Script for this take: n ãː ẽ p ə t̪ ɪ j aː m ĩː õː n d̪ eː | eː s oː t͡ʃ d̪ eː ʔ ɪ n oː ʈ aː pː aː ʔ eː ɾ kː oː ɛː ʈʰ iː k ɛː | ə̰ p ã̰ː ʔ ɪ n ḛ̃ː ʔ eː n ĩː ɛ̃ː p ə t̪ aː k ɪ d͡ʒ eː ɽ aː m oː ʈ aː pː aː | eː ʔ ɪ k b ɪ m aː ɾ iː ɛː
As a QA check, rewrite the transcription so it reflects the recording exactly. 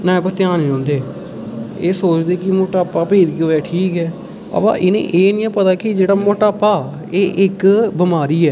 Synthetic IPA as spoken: n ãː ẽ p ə t̪ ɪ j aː n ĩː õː n d̪ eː | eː s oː t͡ʃ d̪ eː k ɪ m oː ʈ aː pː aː p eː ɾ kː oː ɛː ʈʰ iː k ɛː | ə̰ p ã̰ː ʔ ɪ n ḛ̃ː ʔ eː n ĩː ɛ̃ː p ə t̪ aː k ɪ d͡ʒ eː ɽ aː m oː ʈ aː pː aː | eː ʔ ɪ k b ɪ m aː ɾ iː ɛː